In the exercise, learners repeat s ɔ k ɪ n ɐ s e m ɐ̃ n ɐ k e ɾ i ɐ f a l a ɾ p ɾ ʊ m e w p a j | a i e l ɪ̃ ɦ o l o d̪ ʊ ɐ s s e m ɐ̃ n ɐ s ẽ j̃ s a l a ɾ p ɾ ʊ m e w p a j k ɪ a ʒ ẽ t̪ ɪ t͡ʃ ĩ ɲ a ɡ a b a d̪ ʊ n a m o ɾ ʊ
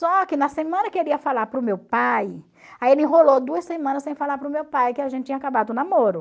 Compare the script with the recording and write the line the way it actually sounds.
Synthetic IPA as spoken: s ɔ k ɪ n ɐ s e m ɐ̃ n ɐ k e ɾ i ɐ f a l a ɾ p ɾ ʊ m e w p a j | a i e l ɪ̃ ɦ o l o d̪ u ɐ s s e m ɐ̃ n ɐ s ẽ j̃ f a l a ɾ p ɾ ʊ m e w p a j k ɪ a ʒ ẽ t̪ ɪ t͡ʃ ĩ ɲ a k a b a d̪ ʊ n a m o ɾ ʊ

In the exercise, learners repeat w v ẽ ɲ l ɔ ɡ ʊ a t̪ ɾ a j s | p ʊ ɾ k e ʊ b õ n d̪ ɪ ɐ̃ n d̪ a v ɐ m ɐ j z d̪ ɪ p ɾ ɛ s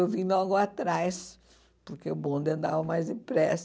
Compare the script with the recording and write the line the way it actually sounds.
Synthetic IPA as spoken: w v ĩ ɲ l ɔ ɡ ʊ a t̪ ɾ a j s | p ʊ ɾ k e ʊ b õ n d̪ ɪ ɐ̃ n d̪ a v ɐ m a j z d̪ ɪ p ɾ ɛ s

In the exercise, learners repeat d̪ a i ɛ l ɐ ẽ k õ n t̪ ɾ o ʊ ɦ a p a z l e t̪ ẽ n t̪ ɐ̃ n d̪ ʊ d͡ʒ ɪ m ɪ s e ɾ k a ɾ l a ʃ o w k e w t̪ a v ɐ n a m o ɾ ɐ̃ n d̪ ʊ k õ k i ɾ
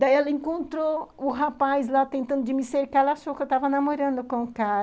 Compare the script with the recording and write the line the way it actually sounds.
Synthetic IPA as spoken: d̪ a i ɛ l ɐ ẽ k õ n t̪ ɾ o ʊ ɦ a p a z l a t̪ ẽ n t̪ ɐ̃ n d̪ ʊ d͡ʒ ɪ m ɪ s e ɾ k a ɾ l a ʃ o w k e w t̪ a v ɐ n a m o ɾ ɐ̃ n d̪ ʊ k õ k a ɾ

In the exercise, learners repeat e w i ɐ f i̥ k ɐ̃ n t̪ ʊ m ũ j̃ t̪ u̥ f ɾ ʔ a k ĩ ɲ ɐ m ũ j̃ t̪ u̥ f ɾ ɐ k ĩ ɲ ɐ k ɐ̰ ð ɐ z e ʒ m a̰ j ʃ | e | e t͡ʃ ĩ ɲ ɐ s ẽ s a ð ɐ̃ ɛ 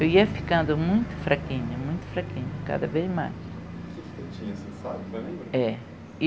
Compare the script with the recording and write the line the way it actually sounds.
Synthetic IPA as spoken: e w i ɐ f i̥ k ɐ̃ n d̪ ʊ m ũ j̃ t̪ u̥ f ɾ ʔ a k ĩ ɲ ɐ m ũ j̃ t̪ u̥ f ɾ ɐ k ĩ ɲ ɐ k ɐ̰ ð ɐ v e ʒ m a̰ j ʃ | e | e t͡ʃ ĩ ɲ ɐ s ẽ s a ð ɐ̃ ɛ

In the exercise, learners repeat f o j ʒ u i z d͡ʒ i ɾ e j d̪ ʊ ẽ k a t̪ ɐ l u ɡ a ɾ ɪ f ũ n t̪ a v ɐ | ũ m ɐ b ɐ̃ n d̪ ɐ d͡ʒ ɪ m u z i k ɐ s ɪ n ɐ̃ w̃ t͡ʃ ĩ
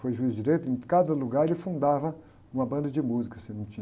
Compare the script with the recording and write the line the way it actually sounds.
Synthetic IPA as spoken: f o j ʒ u i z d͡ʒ i ɾ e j t̪ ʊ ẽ k a d̪ ɐ l u ɡ a ɾ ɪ f ũ n d̪ a v ɐ | ũ m ɐ b ɐ̃ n d̪ ɐ d͡ʒ ɪ m u z i k ɐ s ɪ n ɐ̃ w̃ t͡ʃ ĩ

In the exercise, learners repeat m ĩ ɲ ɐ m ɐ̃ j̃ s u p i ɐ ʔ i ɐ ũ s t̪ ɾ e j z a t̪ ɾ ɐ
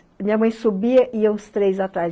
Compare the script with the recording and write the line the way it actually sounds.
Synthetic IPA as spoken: m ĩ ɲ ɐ m ɐ̃ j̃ s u b i ɐ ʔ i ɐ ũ s t̪ ɾ e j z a t̪ ɾ a

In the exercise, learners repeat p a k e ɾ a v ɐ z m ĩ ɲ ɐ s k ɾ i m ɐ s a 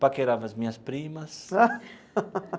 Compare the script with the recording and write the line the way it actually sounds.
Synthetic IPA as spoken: p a k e ɾ a v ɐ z m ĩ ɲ ɐ s p ɾ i m ɐ s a

